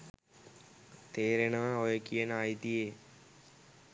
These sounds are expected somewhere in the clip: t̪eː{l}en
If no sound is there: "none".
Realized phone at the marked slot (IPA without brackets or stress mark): ɾ